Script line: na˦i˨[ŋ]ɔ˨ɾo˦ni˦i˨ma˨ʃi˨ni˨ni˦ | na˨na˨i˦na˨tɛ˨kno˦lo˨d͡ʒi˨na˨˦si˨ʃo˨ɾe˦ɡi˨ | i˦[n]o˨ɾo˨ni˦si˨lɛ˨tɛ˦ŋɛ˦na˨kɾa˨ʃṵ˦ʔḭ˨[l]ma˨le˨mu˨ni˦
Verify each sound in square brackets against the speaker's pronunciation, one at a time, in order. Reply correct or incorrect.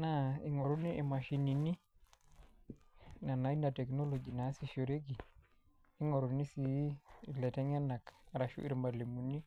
correct, incorrect: ŋ, incorrect: ɾ

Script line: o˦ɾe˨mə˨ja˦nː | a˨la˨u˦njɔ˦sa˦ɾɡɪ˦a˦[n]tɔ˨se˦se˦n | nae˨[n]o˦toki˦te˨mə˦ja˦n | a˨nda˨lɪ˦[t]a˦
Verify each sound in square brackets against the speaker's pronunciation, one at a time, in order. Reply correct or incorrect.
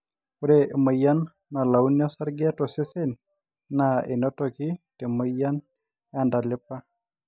incorrect: none, correct, incorrect: p

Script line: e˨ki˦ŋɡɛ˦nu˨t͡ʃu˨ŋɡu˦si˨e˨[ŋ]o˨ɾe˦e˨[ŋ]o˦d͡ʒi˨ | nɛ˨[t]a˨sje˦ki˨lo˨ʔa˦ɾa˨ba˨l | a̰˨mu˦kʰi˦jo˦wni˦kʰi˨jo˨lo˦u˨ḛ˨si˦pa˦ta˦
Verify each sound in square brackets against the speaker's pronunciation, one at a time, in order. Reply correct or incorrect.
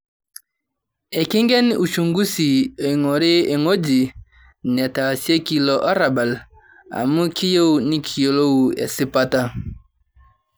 correct, correct, correct

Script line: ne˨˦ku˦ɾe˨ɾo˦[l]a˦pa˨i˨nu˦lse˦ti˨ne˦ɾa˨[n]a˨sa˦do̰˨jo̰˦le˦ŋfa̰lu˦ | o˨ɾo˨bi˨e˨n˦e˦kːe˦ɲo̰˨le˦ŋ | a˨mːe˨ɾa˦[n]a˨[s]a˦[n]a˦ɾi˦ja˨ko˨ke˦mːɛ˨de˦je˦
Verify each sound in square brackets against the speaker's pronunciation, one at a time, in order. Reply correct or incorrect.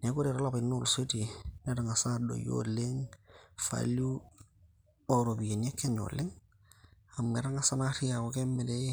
correct, incorrect: ŋ, incorrect: ŋ, correct, correct

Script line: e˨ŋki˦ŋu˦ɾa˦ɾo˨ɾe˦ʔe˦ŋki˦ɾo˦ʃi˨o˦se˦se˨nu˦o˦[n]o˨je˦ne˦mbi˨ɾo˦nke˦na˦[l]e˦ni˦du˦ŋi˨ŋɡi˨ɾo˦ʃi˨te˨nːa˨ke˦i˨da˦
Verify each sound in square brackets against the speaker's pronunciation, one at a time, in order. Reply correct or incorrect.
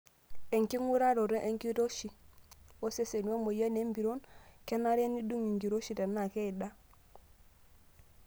incorrect: m, incorrect: ɾ

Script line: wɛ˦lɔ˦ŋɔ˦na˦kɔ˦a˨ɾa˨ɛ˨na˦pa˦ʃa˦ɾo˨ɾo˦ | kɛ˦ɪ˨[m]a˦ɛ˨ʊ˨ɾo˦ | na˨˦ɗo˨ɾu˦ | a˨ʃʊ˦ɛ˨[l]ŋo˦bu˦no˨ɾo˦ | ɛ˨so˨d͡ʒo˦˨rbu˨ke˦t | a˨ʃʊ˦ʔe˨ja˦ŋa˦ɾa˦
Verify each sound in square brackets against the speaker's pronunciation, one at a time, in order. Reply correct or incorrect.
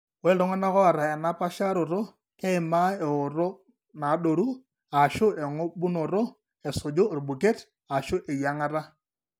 correct, incorrect: none

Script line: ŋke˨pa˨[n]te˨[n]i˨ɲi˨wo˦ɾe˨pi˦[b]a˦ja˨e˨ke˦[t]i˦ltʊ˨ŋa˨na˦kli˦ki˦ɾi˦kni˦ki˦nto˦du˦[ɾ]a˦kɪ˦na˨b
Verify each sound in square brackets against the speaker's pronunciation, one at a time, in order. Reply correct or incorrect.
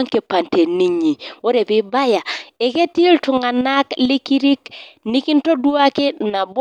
correct, correct, correct, correct, incorrect: none

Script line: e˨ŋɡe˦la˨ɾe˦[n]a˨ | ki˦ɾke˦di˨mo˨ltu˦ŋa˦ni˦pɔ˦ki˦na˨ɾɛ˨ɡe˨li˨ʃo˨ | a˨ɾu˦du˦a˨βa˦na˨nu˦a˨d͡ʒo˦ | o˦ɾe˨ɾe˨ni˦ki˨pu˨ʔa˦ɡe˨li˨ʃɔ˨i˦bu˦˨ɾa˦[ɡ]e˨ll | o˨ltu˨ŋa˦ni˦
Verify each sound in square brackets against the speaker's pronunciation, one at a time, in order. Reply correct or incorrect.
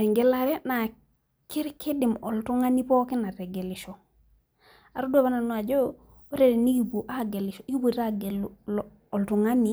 correct, correct

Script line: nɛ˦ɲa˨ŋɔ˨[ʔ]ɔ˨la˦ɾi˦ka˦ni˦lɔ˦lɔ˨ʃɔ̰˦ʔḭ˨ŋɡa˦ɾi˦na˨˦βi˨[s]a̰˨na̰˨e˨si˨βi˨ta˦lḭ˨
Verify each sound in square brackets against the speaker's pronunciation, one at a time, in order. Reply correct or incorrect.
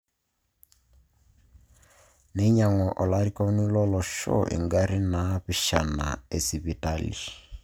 correct, incorrect: ʃ

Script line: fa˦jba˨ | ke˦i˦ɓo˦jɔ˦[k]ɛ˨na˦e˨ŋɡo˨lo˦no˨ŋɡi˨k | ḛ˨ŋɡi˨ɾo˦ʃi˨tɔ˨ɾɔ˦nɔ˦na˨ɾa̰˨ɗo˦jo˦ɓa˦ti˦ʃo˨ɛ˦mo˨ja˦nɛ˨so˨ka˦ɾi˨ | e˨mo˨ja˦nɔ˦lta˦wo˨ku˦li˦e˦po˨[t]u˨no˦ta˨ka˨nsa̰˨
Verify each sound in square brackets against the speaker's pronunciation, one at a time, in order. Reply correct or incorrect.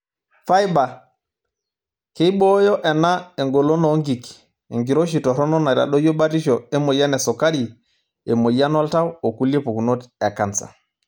incorrect: ʔ, incorrect: k

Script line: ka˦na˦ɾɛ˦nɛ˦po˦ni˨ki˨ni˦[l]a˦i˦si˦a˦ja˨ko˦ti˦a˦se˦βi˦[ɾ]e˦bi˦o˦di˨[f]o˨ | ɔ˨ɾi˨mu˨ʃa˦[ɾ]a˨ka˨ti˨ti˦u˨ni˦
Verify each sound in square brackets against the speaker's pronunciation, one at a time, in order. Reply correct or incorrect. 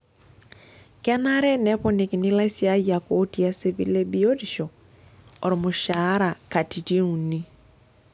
correct, incorrect: l, incorrect: ʃ, correct

